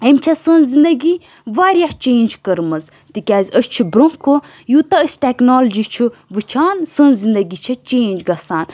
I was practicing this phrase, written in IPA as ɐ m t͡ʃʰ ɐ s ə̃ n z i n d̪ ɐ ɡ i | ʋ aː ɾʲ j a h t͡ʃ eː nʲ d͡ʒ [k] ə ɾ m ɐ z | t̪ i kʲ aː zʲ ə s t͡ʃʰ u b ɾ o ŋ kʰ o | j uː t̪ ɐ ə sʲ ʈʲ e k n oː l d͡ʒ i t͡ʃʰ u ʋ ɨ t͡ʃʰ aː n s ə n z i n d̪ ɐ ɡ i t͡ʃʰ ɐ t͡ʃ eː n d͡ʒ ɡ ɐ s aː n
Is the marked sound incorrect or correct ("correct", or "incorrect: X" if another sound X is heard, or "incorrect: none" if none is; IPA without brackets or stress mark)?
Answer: correct